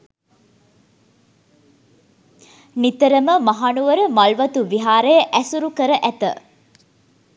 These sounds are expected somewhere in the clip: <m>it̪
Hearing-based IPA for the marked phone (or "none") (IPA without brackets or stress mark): n